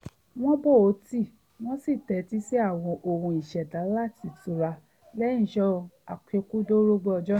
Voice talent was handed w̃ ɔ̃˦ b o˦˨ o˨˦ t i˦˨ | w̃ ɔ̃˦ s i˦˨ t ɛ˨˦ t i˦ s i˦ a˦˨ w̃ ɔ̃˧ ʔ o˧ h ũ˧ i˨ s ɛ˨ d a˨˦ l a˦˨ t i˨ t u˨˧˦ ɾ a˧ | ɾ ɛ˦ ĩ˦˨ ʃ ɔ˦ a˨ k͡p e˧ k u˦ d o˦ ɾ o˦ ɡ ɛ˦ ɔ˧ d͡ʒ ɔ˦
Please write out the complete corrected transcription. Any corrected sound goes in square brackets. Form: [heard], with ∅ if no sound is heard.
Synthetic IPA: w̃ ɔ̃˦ b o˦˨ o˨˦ t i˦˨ | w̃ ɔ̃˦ s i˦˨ t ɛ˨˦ t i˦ s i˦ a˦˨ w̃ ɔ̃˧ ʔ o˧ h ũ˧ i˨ [ʃ] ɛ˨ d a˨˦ l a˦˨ t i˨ t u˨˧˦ ɾ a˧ | [l] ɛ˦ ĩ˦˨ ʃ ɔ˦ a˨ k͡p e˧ k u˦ d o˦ ɾ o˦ [ɡ͡b] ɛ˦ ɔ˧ d͡ʒ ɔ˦